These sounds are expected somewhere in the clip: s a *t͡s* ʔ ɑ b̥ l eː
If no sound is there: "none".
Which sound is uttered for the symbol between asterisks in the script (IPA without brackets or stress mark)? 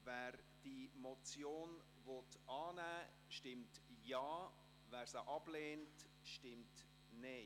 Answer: none